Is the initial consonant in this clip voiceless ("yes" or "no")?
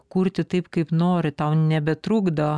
yes